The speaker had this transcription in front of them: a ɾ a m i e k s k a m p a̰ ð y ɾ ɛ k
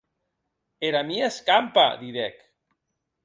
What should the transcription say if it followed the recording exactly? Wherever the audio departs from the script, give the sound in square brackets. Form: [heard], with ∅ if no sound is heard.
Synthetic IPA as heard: [e] ɾ a m i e [∅] s k a m p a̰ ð [i] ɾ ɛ k